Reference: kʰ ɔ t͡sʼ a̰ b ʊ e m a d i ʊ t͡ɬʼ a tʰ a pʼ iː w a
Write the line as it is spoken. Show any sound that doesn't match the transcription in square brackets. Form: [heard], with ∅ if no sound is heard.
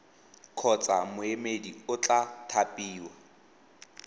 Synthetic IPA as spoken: kʰ ɔ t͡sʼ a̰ [m] ʊ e m [e] d i ʊ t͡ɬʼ a tʰ a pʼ iː w a